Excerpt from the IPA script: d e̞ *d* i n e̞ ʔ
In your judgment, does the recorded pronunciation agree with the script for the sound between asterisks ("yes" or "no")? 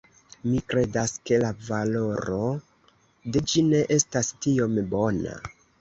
no